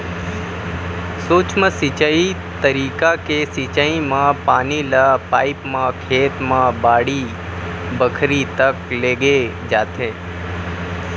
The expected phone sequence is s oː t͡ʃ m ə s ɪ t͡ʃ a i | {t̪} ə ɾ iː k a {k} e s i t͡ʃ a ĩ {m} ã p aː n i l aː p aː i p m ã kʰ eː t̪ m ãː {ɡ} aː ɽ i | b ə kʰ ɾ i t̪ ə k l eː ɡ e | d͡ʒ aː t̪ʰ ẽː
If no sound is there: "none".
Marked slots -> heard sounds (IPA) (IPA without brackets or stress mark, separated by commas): t̪, k, m, b